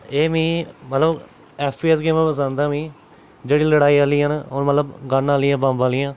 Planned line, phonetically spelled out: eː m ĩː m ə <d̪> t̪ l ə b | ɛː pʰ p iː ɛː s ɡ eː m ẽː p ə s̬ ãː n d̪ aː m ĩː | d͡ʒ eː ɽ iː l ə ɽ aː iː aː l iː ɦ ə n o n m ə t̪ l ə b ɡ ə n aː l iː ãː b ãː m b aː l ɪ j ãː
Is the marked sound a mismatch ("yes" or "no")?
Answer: yes